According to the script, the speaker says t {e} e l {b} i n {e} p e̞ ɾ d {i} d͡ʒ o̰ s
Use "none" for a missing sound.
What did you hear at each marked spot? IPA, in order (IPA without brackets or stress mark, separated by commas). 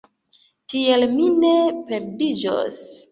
i, m, e, i